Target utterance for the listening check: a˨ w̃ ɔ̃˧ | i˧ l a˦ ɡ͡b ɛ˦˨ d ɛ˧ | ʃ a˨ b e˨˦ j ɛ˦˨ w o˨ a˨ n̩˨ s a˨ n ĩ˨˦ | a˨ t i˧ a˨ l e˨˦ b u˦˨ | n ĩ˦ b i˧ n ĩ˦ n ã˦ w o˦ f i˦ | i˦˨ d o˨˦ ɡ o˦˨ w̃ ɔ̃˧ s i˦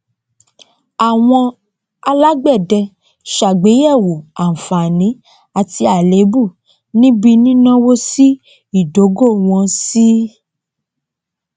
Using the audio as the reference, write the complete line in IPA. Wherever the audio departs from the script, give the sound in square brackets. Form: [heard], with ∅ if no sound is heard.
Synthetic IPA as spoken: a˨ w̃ ɔ̃˧ | [a˧] l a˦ ɡ͡b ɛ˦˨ d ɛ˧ | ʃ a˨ [ɡ͡b] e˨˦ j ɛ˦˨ w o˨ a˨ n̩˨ [f] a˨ n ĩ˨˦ | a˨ t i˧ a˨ l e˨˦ b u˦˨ | n ĩ˦ b i˧ n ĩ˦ n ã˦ w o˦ [s] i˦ | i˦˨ d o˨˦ ɡ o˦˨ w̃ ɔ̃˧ s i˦